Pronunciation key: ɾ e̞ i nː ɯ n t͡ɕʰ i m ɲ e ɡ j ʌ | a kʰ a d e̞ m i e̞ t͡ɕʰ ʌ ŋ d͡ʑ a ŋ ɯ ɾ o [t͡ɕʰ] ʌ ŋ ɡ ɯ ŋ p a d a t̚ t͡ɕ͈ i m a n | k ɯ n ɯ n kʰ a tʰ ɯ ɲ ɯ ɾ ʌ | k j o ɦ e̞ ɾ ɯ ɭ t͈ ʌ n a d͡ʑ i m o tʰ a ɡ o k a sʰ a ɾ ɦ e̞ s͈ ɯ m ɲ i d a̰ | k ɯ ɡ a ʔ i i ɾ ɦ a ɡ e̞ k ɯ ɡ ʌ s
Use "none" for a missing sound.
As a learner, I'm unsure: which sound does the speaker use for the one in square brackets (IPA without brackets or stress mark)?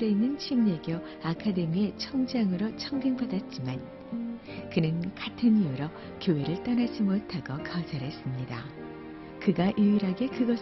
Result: t͡ɕʰ